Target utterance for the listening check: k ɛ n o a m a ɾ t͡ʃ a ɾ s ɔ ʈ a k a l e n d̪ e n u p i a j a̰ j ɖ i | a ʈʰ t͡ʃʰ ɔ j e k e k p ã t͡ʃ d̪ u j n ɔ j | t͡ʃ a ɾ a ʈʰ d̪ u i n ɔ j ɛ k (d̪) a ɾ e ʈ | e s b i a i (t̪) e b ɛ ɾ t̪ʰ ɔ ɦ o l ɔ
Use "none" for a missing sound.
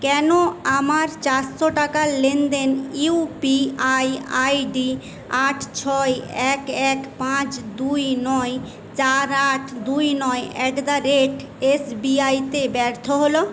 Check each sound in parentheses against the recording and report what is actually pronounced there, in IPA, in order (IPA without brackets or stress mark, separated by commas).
d̪, t̪